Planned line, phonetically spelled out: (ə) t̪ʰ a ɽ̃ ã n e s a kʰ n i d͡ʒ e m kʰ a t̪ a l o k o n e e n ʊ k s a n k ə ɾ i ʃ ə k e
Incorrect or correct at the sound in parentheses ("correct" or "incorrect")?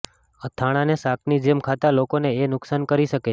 correct